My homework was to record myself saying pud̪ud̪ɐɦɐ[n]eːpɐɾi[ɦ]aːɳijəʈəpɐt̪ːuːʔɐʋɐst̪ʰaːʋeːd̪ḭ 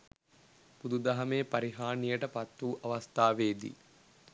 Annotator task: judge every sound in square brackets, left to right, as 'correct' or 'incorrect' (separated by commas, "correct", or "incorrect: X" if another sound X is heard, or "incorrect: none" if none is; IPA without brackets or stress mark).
incorrect: m, correct